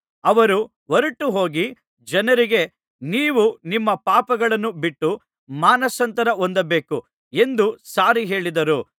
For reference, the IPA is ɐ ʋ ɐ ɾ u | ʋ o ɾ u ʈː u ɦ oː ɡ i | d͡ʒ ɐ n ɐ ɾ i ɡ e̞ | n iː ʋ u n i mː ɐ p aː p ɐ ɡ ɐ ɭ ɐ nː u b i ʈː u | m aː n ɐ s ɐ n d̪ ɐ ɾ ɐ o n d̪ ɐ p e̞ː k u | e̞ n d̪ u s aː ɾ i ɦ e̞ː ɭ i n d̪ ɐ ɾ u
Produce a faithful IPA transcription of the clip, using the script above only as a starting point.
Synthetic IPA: ɐ ʋ ɐ ɾ u | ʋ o ɾ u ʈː u ɦ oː ɡ i | d͡ʒ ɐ n ɐ ɾ i ɡ e̞ | n iː ʋ u n i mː ɐ p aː p ɐ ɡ ɐ ɭ ɐ nː u b i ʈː u | m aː n ɐ s ɐ n t̪ ɐ ɾ ɐ o n d̪ ɐ b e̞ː k u | e̞ n d̪ u s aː ɾ i ɦ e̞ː ɭ i d̪ ɐ ɾ u